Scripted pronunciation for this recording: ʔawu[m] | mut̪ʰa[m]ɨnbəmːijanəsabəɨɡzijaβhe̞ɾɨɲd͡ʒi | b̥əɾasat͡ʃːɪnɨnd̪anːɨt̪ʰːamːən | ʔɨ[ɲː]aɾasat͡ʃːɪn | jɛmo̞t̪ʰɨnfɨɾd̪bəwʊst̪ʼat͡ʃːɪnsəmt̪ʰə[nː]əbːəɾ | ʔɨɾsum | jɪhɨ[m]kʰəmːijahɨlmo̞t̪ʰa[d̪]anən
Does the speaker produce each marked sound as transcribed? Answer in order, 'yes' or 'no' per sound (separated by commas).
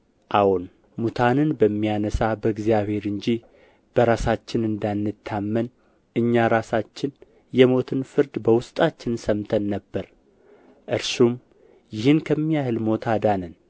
no, no, yes, yes, no, yes